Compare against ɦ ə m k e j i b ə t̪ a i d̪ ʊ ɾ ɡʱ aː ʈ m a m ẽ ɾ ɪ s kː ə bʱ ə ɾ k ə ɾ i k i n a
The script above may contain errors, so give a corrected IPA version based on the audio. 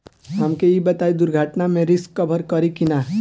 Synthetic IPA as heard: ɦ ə m k e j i b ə t̪ a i d̪ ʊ ɾ ɡʱ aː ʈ n a m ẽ ɾ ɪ s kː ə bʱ ə ɾ k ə ɾ i k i n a

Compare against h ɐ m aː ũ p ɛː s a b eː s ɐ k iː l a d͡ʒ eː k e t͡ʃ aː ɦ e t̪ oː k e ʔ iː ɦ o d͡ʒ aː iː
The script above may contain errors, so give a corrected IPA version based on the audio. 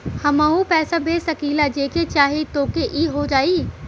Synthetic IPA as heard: h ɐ m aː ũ p ɛː s a b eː s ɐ k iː l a d͡ʒ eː k e t͡ʃ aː ɦ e t̪ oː k e ʔ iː ɦ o d͡ʒ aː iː

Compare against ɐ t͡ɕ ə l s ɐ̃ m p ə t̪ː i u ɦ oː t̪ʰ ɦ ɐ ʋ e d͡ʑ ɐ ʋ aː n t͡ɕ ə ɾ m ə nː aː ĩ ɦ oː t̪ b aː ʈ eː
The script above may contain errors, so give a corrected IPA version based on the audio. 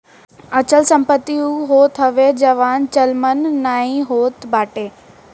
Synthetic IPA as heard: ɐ t͡ɕ ə l s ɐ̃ m p ə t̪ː i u ɦ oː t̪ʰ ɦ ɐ ʋ e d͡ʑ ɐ ʋ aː n t͡ɕ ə l m ə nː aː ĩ ɦ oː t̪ b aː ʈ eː

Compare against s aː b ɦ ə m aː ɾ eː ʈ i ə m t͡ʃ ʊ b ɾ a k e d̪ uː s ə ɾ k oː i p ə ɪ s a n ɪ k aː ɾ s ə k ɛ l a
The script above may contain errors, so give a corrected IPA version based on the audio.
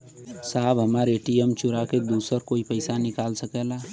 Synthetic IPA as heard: s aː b ɦ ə m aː ɾ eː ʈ i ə m t͡ʃ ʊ ɾ a k e d̪ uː s ə ɾ k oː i p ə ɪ s a n ɪ k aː l s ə k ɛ l a

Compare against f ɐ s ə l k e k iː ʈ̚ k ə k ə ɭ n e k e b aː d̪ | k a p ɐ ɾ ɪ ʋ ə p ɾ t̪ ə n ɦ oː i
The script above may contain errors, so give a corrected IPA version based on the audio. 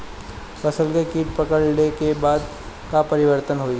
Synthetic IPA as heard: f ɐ s ə l k e k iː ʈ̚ p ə k ə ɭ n e k e b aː d̪ | k a p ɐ ɾ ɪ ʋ ə ɾ t̪ ə n ɦ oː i

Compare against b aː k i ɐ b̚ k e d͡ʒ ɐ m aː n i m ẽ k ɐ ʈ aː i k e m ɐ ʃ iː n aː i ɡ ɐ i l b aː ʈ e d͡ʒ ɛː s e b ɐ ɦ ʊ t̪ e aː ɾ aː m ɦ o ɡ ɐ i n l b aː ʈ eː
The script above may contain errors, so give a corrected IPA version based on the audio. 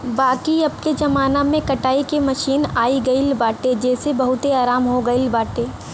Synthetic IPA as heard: b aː k i ɐ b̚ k e d͡ʒ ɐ m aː n a m ẽ k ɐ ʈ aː i k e m ɐ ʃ iː n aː i ɡ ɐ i l b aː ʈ e d͡ʒ ɛː s e b ɐ ɦ ʊ t̪ e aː ɾ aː m ɦ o ɡ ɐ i l b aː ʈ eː

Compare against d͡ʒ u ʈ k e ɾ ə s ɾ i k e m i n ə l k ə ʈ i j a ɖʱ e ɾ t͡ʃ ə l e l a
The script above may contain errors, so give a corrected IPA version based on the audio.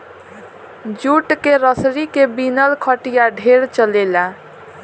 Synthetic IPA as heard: d͡ʒ u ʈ k e ɾ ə s ɾ i k e b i n ə l kʰ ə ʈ i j a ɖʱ e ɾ t͡ʃ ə l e l a

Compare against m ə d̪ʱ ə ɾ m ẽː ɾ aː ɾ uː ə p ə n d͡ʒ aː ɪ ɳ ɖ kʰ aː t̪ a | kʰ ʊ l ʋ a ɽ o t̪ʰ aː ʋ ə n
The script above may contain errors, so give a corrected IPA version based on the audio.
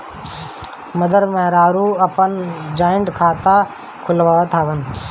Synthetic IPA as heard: m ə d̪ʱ ə ɾ m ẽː ɾ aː ɾ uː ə p ə n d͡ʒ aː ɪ ɳ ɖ kʰ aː t̪ a | kʰ ʊ l ʋ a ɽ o t̪ʰ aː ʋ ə n

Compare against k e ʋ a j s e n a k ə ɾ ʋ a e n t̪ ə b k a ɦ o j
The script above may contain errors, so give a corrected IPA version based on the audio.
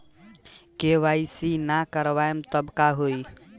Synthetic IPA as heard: k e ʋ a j s i n a k ə ɾ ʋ a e m t̪ ə b k a ɦ o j

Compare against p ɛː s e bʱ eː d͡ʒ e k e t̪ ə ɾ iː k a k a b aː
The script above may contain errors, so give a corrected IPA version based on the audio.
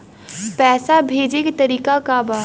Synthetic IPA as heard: p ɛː s a bʱ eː d͡ʒ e k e t̪ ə ɾ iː k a k a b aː

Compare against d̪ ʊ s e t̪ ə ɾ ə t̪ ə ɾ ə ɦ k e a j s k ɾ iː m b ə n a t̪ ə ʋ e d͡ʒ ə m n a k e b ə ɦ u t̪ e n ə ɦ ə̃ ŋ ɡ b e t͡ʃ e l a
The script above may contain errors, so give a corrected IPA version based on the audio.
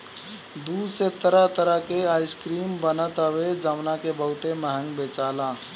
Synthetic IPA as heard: d̪ u s e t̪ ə ɾ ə t̪ ə ɾ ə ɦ k e a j s k ɾ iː m b ə n ə t̪ ə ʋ e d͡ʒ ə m n a k e b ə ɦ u t̪ e m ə ɦ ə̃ ŋ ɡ b e t͡ʃ a l a

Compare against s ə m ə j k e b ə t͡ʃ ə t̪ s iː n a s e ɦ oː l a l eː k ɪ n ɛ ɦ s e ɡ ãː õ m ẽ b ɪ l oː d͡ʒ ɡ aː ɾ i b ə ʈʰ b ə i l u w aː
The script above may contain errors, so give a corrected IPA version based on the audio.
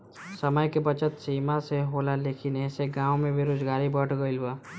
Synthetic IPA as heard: s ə m ə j k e b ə t͡ʃ ə t̪ s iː m a s e ɦ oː l a l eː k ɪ n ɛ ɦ s e ɡ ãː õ m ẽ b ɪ ɾ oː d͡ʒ ɡ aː ɾ i b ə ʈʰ ɡ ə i l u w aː

